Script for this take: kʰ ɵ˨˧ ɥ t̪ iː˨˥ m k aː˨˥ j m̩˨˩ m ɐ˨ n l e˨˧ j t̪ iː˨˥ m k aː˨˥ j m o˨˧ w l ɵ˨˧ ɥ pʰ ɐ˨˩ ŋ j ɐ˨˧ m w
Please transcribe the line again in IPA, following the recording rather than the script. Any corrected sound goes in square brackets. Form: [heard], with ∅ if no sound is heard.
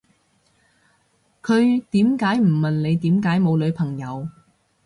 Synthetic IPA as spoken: kʰ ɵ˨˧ ɥ t̪ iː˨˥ m k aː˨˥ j m̩˨˩ m ɐ˨ n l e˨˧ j t̪ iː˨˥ m k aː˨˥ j m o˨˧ w l ɵ˨˧ ɥ pʰ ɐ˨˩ ŋ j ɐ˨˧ [∅] w